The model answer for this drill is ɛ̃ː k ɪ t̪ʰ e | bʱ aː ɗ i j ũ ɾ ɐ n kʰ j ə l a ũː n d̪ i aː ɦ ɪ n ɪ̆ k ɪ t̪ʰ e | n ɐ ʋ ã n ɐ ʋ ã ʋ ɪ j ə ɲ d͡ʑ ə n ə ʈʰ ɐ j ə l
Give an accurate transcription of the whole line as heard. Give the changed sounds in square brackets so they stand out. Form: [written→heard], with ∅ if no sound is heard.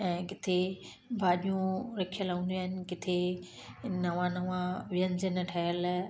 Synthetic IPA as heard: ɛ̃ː k ɪ t̪ʰ e | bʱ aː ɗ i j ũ ɾ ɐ [n→∅] kʰ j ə l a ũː n d̪ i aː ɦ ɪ n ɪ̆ k ɪ t̪ʰ e | n ɐ ʋ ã n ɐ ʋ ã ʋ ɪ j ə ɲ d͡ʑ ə n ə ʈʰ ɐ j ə l